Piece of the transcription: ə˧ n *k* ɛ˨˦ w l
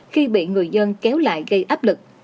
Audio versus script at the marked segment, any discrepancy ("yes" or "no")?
no